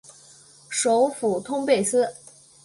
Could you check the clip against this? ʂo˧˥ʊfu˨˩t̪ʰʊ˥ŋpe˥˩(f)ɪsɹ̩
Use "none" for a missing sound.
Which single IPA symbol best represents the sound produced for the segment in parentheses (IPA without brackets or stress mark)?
none